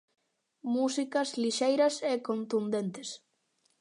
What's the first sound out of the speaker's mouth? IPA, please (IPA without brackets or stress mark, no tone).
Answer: m